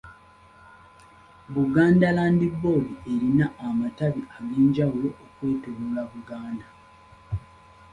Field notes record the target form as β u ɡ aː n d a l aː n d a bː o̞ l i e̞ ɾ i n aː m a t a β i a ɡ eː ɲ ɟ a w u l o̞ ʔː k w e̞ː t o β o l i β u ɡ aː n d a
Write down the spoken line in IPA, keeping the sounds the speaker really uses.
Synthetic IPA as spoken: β u ɡ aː n d a l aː n d i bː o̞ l i e̞ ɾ i n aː m a t a β i a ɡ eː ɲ ɟ a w u l o̞ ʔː k w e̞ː t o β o l a β u ɡ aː n d a

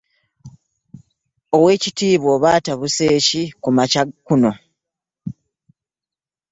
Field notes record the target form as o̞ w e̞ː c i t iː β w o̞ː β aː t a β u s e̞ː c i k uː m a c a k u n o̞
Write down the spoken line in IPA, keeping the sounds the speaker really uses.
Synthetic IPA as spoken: o̞ w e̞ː c i t iː β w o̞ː β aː t a β u s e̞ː c i k u m a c a k u n o̞

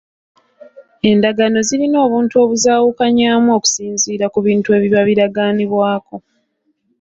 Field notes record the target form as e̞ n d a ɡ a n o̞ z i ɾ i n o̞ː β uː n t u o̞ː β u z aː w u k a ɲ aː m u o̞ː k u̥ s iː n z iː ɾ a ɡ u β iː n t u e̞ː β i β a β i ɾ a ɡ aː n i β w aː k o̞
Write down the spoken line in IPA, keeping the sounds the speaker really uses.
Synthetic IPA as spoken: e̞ n d a ɡ a n o̞ z i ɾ i n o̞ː β uː n t u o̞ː β u z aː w u k a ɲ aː m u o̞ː k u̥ s iː n z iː ɾ a k u β iː n t u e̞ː β i β a β i ɾ a ɡ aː n i β w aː k o̞

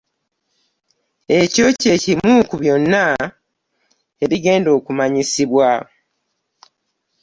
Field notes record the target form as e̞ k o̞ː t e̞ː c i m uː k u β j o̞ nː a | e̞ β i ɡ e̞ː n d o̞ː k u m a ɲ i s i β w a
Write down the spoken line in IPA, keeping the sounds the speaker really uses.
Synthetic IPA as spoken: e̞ c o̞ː c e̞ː c i m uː k u β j o̞ nː a | e̞ β i ɡ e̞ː n d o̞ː k u m a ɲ i s i β w a

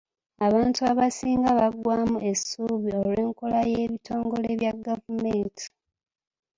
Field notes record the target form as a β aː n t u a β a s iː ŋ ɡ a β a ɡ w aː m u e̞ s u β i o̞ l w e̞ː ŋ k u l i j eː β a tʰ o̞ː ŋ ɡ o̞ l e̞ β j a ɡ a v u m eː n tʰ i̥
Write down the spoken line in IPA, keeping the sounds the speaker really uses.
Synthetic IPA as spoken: a β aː n t u a β a s iː ŋ ɡ a β a ɡ w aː m u e̞ s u β i o̞ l w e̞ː ŋ k o l a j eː β i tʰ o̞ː ŋ ɡ o̞ l e̞ β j a ɡ a v u m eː n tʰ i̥

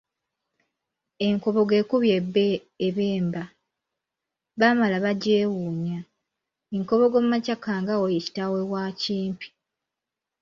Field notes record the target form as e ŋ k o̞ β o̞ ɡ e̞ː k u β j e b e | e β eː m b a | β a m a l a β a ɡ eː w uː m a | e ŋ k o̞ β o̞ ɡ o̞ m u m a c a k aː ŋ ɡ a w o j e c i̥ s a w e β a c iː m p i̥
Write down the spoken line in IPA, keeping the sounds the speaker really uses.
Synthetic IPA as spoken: e ŋ k o̞ β o̞ ɡ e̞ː k u β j e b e | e β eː m b a | β a m a l a β a ɟ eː w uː ɲ a | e ŋ k o̞ β o̞ ɡ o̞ m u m a c a k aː ŋ ɡ a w o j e c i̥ t a w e w a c iː m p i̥

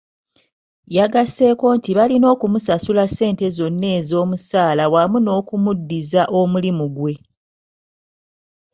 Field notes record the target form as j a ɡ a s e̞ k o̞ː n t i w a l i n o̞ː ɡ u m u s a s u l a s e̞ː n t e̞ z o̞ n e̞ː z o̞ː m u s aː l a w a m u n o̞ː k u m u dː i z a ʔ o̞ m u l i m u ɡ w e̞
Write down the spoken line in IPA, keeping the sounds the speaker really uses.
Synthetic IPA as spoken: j a ɡ a s e̞ k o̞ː n t i β a l i n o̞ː k u m u s a s u l a s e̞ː n t e̞ z o̞ nː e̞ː z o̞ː m u s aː l a w a m u n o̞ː k u m u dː i z a ʔ o̞ m u l i m u ɡ w e̞

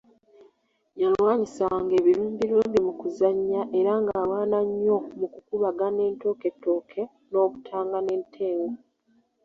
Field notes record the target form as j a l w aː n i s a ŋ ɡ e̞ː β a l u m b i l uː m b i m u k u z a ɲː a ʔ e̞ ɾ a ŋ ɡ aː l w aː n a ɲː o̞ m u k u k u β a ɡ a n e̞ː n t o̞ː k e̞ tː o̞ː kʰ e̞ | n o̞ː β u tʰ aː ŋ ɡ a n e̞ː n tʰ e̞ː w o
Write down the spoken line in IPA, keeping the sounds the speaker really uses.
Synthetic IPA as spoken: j a l w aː ɲ i s a ŋ ɡ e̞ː β i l uː m b i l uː m b i m u k u z a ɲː a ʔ e̞ ɾ a ŋ ɡ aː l w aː n a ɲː o̞ m u k u k u β a ɡ a n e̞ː n t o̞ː k e̞ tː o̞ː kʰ e̞ | n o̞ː β u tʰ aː ŋ ɡ a n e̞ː n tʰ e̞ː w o

